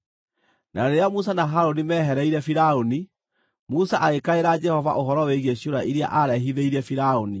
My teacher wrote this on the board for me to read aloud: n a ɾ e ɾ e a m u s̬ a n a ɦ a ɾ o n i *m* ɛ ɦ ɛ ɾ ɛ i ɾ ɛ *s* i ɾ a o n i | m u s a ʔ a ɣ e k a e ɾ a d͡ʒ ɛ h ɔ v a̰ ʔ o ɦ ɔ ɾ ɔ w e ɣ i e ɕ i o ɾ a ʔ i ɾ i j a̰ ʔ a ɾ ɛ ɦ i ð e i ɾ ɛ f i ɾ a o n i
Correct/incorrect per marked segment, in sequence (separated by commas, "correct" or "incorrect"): correct, incorrect